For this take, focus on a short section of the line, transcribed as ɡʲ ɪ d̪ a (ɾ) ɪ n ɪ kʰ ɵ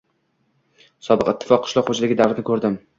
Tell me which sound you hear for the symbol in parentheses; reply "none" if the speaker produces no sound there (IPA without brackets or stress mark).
ɾ